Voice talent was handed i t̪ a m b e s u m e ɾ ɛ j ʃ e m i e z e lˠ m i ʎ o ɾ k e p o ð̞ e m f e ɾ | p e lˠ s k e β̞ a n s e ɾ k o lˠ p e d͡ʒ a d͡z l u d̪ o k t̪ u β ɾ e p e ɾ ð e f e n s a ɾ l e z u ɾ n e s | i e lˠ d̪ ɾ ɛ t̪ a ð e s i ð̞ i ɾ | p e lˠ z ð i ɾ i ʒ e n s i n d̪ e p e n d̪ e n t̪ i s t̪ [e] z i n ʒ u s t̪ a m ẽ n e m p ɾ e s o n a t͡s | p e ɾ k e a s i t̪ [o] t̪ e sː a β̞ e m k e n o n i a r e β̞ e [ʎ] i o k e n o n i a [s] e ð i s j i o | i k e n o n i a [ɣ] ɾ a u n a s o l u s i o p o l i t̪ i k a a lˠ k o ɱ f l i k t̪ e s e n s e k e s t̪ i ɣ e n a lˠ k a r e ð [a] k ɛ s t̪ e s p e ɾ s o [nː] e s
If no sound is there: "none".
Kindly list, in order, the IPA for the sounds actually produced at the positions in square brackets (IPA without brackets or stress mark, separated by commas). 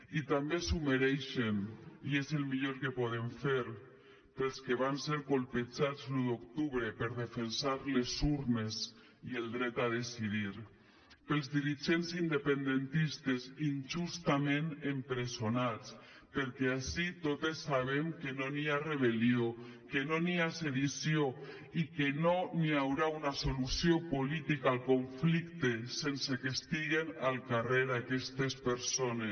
e, o, l, s, w, a, n